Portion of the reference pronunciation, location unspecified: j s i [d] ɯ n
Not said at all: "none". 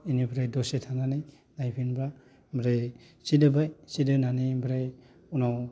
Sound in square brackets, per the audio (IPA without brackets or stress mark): d